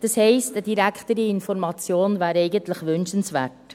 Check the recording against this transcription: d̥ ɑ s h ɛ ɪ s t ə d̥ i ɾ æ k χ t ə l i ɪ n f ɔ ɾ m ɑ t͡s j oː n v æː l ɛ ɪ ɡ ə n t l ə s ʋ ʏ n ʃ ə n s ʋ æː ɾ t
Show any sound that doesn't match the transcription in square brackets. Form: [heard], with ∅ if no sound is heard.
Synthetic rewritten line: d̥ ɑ s h ɛ ɪ s t ə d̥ i ɾ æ k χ t ə [ɾ] i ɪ n f ɔ ɾ m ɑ t͡s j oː n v æː [ɾ] ɛ ɪ ɡ ə n t l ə [χ] ʋ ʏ n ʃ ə n s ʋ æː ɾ t